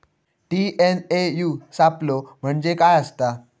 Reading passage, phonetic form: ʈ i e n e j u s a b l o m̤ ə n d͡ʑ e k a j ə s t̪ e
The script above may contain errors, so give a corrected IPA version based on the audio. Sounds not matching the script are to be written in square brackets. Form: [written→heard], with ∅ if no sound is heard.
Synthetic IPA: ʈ i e n e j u s a [b→p] l o m̤ ə [n→ɳ] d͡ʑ e k a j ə s t̪ [e→a]